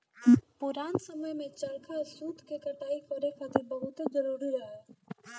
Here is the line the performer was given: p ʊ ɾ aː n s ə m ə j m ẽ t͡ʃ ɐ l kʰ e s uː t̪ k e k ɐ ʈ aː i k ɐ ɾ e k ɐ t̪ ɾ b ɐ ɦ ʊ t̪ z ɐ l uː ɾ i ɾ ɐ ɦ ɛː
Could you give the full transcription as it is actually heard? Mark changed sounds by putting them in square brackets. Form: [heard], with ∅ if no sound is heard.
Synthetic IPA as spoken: p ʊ ɾ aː n s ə m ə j m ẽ t͡ʃ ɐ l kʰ [a] s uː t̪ k e k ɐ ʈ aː i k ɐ ɾ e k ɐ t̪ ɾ b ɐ ɦ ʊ t̪ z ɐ [ɾ] uː ɾ i ɾ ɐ ɦ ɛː

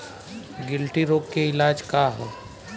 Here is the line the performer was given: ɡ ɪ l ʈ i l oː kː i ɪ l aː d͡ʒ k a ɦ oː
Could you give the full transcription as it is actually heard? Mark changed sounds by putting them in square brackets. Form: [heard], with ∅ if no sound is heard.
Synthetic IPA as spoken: ɡ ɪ l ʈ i [ɾ] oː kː [e] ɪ l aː d͡ʒ k a ɦ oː

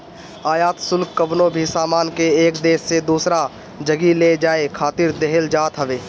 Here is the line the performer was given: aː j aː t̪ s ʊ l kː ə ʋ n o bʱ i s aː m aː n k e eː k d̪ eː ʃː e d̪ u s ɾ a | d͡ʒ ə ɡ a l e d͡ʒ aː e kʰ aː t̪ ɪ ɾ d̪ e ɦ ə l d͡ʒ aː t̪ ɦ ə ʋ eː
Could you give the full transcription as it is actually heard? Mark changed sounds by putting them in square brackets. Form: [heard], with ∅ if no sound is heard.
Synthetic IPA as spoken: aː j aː t̪ s ʊ l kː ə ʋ n o bʱ i s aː m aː n k e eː k d̪ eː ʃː e d̪ [uː] s ɾ a | d͡ʒ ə ɡ [i] l e d͡ʒ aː e kʰ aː t̪ ɪ ɾ d̪ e ɦ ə l d͡ʒ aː t̪ ɦ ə ʋ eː

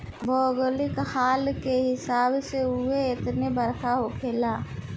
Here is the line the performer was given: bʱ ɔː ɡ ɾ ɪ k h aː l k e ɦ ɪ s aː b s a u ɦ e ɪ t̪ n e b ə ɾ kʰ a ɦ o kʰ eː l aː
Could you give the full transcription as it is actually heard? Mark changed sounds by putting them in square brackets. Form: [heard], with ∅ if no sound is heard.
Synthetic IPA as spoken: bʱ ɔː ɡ [l] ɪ k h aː l k e ɦ ɪ s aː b s [e] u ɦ e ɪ t̪ n e b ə ɾ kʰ a ɦ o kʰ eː l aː

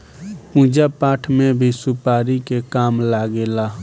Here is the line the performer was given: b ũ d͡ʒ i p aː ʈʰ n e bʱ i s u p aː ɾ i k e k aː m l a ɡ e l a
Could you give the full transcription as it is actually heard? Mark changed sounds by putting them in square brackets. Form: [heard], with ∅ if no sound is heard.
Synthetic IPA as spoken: [p] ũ d͡ʒ [a] p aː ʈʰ [m] e bʱ i s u p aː ɾ i k e k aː m l a ɡ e l a

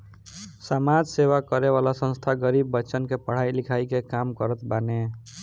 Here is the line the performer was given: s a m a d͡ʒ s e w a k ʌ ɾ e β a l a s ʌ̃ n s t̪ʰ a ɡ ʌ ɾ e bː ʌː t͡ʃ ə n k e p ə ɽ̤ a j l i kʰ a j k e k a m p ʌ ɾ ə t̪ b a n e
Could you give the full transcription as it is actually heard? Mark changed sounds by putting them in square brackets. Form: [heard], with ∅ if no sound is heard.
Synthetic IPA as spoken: s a m a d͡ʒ s e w a k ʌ ɾ e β a l a s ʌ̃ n s t̪ʰ a ɡ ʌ ɾ [i] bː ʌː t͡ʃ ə n k e p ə ɽ̤ a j l i kʰ a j k e k a m [k] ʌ ɾ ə t̪ b a n e

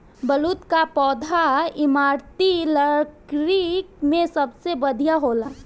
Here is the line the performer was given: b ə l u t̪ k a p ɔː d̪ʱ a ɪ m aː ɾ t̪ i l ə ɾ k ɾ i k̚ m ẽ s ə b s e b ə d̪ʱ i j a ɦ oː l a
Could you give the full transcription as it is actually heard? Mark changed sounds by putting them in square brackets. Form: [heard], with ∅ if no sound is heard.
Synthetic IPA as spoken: b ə l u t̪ k a p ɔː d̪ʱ a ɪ m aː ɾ t̪ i l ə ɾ k ɾ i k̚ m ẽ s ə b s e b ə d̪ʱ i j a ɦ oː l a

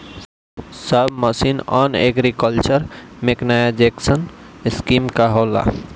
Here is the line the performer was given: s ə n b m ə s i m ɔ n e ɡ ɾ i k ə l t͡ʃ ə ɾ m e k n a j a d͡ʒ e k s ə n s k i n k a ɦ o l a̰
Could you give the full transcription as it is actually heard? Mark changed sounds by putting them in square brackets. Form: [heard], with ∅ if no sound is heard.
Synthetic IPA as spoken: s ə [∅] b m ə s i [n] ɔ n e ɡ ɾ i k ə l t͡ʃ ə ɾ m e k n a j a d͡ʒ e k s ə n s k i [m] k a ɦ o l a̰

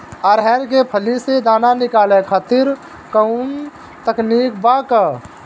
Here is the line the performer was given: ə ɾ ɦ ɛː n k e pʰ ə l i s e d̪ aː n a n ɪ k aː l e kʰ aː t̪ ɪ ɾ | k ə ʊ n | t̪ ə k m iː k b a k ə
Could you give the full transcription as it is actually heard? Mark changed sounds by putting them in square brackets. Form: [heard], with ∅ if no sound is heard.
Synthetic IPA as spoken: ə ɾ ɦ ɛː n k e pʰ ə l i s e d̪ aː n a n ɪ k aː l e kʰ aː t̪ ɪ ɾ | k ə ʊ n | t̪ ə k [n] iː k b a k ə

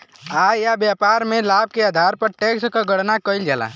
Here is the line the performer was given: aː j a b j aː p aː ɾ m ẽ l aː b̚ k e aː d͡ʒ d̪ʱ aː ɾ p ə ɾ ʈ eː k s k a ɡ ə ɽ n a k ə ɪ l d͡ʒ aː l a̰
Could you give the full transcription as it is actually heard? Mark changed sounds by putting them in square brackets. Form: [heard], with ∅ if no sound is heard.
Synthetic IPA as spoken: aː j a b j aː p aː ɾ m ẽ l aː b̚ k e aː [∅] d̪ʱ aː ɾ p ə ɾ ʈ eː k s k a ɡ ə ɽ n a k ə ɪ l d͡ʒ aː l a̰

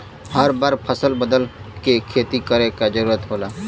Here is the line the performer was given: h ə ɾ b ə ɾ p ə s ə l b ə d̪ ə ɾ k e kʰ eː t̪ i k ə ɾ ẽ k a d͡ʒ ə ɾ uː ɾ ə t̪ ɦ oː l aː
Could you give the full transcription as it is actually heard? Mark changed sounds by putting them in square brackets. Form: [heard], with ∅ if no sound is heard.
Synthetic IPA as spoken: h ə ɾ b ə ɾ [pʰ] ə s ə l b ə d̪ ə [l] k e kʰ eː t̪ i k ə ɾ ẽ k a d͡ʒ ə ɾ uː ɾ ə t̪ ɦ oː l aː

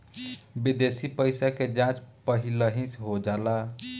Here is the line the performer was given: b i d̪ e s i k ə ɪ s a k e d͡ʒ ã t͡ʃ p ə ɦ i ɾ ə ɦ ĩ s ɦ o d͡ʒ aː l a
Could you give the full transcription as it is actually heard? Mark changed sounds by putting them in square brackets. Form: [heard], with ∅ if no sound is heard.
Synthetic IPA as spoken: b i d̪ e s i [p] ə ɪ s a k e d͡ʒ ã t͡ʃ p ə ɦ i [l] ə ɦ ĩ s ɦ o d͡ʒ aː l a

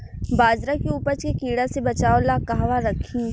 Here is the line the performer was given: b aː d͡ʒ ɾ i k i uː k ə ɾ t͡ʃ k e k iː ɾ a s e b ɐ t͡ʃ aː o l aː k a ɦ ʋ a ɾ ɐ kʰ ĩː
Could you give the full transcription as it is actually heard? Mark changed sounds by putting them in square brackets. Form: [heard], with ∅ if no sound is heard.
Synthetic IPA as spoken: b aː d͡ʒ ɾ [a] k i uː [p] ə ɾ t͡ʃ k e k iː [ɽ] a s e b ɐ t͡ʃ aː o l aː k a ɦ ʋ a ɾ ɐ kʰ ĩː

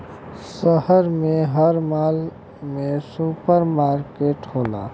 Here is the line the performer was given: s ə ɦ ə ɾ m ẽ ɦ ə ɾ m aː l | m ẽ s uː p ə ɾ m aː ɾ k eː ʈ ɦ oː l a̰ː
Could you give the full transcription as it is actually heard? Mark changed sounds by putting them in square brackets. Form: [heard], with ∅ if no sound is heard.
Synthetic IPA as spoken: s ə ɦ ə ɾ m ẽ ɦ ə ɾ m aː l | m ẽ s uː p ə ɾ m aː ɾ k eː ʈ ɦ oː l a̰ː

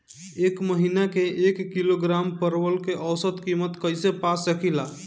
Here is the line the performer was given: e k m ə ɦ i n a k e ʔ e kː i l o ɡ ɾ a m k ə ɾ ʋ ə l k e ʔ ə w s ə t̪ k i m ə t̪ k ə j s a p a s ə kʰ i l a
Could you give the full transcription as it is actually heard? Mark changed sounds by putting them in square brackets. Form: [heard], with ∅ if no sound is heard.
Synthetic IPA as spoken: e k m ə ɦ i n a k e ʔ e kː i l o ɡ ɾ a m [p] ə ɾ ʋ ə l k e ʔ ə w s ə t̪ k i m ə t̪ k ə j s [e] p a s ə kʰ i l a

